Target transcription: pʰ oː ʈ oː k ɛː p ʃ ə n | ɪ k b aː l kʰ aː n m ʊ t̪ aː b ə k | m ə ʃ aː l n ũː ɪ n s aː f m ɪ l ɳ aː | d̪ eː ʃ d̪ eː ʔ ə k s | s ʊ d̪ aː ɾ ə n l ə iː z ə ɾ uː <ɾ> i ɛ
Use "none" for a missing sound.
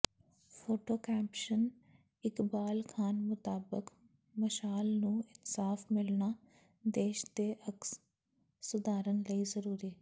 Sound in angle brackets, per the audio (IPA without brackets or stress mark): ɾ